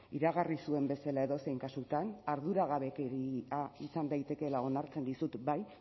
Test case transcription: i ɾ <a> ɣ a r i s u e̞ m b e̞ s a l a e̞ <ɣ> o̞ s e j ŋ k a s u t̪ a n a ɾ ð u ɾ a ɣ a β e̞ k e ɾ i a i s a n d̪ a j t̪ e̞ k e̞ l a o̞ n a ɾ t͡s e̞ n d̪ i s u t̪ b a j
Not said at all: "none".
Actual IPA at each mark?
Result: a, ð

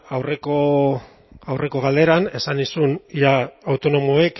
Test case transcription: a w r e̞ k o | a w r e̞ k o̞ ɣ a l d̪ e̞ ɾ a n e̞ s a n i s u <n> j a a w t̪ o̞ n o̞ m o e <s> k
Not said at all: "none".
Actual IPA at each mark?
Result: n, none

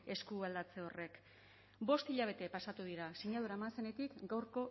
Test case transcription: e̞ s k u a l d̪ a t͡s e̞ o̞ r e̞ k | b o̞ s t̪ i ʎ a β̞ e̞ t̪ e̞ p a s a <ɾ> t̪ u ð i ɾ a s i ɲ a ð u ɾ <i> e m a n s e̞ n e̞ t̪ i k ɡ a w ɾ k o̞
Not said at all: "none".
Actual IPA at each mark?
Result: none, a

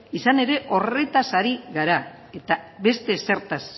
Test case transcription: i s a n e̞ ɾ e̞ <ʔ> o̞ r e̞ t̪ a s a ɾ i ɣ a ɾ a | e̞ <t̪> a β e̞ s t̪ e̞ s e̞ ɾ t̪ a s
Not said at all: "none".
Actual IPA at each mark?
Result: ʔ, t̪

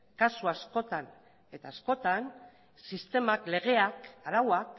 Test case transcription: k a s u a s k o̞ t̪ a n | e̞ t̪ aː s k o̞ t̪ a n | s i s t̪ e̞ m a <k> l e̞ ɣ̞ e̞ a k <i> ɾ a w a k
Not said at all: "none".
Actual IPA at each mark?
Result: k, a

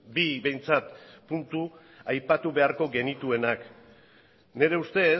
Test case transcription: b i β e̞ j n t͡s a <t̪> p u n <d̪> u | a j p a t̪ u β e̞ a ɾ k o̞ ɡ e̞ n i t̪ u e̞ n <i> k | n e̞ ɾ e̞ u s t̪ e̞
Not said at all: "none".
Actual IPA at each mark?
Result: t̪, t̪, a

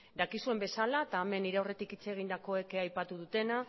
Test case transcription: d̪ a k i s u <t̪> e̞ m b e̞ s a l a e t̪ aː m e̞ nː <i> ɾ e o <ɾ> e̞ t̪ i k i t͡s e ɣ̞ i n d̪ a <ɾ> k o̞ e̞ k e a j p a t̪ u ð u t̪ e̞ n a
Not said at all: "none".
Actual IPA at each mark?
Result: none, i, r, none

